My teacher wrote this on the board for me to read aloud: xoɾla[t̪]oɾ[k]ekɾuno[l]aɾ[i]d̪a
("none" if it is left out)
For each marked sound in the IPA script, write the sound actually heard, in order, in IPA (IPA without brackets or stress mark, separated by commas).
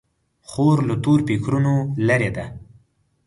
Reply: t̪, p, l, e